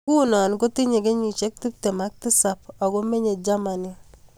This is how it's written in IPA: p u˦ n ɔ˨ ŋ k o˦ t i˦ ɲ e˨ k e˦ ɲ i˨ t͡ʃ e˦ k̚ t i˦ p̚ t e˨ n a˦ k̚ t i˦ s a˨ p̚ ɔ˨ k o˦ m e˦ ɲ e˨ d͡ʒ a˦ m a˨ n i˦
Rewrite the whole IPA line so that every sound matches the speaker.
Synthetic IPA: k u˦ n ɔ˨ n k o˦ t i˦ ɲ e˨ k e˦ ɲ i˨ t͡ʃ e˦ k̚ t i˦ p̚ t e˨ m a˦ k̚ t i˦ s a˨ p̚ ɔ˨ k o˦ m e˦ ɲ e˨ d͡ʒ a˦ m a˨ n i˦